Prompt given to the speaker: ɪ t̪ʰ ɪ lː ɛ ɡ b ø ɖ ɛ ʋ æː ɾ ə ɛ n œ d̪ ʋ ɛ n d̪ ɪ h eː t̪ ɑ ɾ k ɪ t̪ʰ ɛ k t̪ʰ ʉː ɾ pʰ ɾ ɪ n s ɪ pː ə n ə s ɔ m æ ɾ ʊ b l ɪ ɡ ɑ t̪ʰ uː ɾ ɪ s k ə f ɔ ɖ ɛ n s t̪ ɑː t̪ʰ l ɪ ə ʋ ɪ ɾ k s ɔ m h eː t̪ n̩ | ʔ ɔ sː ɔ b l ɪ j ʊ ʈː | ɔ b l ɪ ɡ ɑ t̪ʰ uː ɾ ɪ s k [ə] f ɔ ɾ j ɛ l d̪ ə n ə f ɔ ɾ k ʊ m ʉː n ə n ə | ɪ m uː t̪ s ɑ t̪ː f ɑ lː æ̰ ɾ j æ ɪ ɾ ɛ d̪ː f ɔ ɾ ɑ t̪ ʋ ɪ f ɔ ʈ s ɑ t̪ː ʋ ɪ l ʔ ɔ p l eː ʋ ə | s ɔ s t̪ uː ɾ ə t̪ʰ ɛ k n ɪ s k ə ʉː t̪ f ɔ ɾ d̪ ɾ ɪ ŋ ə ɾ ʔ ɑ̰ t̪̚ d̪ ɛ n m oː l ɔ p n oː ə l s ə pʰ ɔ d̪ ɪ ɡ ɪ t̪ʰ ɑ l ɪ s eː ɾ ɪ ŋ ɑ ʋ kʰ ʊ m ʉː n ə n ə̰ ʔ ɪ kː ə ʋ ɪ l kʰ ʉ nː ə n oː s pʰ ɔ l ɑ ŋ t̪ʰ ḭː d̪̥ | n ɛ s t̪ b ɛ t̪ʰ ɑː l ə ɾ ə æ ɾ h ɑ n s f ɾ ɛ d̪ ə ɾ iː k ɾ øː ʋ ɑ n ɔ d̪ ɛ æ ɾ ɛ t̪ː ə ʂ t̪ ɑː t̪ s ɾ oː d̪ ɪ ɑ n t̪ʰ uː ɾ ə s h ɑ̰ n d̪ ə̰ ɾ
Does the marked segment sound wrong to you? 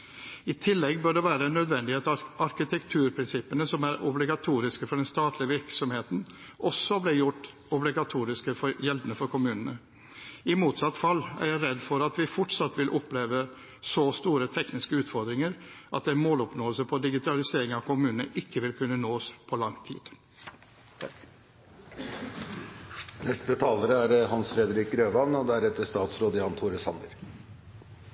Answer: no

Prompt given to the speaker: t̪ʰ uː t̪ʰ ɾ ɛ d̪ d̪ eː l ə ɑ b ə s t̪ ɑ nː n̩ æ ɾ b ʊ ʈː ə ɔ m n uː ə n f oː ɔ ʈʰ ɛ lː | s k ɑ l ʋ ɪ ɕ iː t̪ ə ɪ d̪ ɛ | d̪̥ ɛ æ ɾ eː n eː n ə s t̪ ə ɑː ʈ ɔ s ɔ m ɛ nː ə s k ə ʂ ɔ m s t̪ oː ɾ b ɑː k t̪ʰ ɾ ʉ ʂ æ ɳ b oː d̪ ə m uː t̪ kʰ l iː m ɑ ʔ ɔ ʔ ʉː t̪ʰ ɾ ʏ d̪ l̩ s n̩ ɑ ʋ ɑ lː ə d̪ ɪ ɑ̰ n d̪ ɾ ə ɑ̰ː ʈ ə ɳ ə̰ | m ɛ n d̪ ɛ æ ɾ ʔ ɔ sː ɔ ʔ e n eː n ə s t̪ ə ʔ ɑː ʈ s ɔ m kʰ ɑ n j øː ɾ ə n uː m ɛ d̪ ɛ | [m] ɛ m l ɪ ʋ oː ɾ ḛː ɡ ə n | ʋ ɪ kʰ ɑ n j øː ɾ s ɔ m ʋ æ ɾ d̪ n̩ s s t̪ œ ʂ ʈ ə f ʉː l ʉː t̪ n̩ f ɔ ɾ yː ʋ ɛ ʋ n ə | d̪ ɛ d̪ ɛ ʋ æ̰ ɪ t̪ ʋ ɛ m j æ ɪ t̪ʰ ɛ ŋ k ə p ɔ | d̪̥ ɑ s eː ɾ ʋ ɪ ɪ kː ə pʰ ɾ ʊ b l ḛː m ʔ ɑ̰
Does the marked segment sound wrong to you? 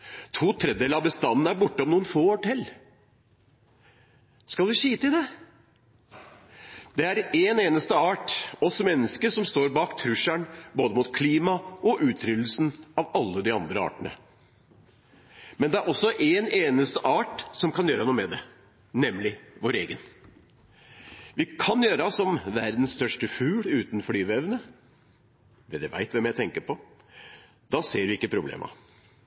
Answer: yes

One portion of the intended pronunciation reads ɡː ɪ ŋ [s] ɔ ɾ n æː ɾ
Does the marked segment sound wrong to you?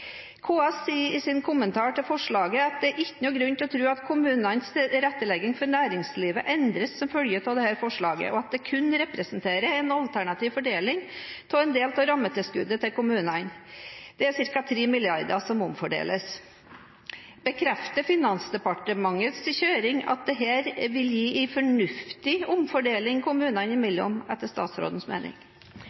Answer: yes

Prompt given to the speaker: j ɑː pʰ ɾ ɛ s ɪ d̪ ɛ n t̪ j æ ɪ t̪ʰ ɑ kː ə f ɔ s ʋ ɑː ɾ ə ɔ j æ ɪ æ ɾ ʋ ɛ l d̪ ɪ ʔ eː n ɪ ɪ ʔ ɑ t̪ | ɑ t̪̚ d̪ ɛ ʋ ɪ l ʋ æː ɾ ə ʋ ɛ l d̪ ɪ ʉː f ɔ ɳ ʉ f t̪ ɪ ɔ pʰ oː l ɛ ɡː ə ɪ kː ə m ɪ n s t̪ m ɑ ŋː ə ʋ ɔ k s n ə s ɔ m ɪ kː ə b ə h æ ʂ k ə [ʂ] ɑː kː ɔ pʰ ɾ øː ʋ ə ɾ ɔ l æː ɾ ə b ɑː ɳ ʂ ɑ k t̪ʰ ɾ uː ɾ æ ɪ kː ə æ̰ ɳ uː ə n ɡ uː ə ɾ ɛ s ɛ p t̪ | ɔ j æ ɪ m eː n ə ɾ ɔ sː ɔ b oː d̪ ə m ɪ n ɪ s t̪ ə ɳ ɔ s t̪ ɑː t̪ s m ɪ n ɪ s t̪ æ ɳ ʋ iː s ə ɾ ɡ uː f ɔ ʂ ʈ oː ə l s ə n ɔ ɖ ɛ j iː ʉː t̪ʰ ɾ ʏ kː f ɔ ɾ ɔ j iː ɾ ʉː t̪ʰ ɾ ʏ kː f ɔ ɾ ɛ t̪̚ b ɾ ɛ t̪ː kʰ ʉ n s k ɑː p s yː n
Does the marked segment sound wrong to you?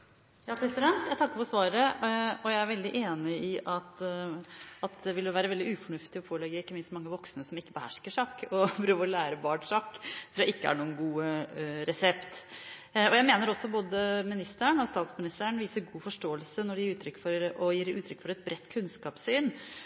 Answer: no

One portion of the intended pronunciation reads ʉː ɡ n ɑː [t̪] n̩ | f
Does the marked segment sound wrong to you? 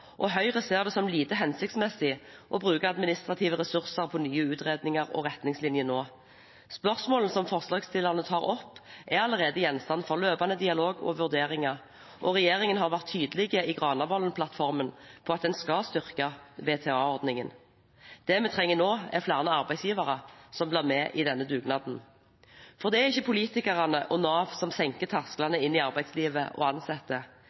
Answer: yes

